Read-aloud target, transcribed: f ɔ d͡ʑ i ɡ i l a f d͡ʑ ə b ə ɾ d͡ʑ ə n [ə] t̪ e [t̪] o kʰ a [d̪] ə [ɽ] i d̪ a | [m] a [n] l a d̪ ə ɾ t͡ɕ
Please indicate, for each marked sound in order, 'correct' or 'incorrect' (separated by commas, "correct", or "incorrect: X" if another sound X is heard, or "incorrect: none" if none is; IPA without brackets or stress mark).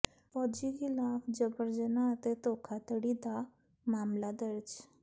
incorrect: a, correct, incorrect: t̪, correct, correct, incorrect: m